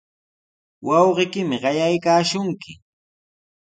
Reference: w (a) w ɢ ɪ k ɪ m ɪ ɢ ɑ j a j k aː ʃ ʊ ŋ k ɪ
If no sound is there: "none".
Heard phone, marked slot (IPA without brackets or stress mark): ɑ